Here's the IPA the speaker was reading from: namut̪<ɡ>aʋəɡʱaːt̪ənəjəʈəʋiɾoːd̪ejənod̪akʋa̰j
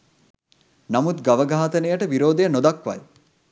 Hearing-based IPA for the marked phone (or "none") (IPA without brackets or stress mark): ɡ